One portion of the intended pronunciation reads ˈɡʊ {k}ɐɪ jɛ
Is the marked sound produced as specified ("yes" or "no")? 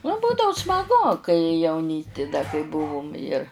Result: yes